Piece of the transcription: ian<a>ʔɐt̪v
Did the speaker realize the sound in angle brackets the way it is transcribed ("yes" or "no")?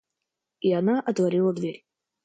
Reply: yes